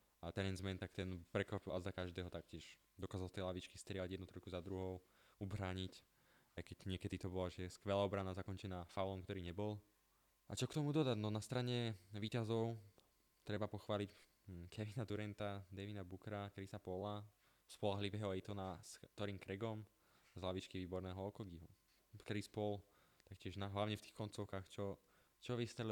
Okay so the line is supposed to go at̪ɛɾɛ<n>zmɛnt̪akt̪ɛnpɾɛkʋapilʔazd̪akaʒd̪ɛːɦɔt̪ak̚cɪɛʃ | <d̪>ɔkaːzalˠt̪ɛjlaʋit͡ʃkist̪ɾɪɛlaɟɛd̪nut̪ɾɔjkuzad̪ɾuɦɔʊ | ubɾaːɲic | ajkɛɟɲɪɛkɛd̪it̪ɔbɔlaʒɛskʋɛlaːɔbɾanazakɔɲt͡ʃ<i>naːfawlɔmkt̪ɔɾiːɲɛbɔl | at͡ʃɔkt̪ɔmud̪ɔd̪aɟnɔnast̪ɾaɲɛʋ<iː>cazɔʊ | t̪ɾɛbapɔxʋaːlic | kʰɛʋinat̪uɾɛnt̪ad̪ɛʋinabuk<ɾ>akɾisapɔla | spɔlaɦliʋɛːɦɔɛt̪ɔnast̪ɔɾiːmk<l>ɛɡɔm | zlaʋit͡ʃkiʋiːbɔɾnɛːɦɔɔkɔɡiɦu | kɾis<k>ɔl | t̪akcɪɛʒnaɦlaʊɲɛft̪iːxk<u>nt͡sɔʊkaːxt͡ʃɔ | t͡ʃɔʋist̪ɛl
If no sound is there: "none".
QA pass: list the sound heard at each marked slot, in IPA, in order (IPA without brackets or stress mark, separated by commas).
n, d̪, ɛ, iː, ɾ, ɾ, p, ɔ